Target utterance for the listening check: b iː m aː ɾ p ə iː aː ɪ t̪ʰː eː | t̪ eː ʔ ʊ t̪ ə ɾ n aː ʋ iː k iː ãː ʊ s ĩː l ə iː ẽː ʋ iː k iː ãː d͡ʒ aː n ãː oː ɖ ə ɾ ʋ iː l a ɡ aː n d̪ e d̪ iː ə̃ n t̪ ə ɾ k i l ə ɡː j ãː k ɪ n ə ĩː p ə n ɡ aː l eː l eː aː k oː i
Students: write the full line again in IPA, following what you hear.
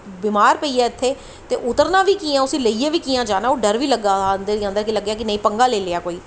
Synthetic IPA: b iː m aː ɾ p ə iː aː ɪ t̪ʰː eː | t̪ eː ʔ ʊ t̪ ə ɾ n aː ʋ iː k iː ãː ʊ s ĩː l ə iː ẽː ʋ iː k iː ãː d͡ʒ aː n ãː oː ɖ ə ɾ ʋ iː l ə ɡ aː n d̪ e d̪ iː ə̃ n d̪ ə ɾ k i l ə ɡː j aː k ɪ n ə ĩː p ə ŋ ɡ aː l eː l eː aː k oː iː